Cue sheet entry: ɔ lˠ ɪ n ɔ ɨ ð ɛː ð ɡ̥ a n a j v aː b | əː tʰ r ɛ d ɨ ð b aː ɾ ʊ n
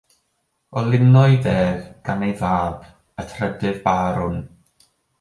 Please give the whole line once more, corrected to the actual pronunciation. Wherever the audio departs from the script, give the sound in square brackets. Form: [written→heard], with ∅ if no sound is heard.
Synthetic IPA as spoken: ɔ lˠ ɪ n ɔ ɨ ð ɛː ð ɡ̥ a n [a→e] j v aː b | [əː→ə] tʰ r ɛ d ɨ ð b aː ɾ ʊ n